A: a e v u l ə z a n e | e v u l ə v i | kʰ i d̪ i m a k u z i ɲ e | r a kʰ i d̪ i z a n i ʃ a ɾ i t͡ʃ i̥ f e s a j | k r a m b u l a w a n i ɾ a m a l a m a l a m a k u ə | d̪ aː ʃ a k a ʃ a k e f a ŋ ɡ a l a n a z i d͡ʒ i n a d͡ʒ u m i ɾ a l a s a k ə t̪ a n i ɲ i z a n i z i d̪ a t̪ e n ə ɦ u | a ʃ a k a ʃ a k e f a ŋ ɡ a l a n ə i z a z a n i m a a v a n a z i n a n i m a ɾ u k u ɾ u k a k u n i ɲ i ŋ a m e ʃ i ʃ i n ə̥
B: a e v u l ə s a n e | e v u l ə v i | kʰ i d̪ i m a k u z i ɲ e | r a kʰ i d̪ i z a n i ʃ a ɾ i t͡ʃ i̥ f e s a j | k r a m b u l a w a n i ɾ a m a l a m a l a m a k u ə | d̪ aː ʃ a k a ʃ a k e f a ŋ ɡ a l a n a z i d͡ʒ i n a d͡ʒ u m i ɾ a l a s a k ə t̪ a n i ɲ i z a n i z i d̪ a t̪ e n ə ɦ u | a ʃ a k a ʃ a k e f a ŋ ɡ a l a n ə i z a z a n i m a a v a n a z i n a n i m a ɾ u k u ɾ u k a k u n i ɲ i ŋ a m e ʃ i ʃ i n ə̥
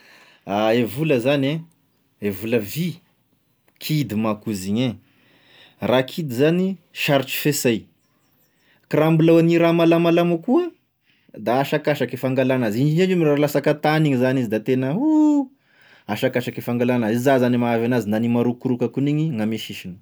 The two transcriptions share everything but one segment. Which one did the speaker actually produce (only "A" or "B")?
A